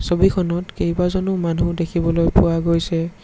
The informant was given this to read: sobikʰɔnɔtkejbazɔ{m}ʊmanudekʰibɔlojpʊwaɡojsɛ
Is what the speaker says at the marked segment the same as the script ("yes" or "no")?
no